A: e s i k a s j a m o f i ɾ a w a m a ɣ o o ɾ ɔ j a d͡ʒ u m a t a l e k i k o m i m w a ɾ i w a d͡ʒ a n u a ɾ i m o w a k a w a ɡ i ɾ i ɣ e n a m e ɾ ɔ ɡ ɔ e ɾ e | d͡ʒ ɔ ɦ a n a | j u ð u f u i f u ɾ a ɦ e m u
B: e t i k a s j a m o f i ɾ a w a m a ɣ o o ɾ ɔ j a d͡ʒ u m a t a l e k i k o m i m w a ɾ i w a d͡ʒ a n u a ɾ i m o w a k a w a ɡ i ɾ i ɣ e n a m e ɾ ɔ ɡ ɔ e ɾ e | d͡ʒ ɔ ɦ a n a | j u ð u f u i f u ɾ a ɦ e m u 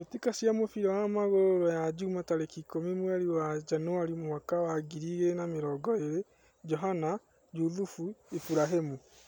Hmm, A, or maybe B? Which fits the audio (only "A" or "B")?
B